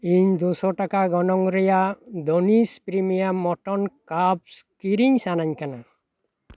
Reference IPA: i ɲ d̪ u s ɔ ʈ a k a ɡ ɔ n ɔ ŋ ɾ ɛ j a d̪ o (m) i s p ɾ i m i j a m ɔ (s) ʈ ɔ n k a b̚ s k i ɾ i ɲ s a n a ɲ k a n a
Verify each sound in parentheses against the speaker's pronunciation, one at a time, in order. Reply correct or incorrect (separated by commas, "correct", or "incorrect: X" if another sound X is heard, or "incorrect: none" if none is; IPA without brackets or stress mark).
incorrect: n, incorrect: none